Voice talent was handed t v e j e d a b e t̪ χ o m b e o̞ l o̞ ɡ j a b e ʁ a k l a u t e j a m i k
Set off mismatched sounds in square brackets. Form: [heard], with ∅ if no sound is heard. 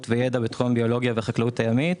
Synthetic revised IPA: t v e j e d a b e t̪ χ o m b [i] o̞ l o̞ ɡ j a [v] e [χ] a k l a u t [a] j a m i [t]